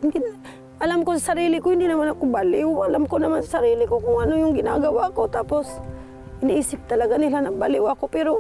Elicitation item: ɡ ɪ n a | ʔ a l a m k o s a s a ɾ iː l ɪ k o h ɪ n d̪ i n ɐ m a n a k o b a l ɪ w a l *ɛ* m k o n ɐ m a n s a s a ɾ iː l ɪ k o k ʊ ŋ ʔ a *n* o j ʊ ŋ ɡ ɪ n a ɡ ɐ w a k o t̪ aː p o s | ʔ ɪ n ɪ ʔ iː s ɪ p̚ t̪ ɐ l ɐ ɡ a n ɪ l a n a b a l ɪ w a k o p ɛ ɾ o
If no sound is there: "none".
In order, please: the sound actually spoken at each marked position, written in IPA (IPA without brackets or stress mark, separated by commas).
a, n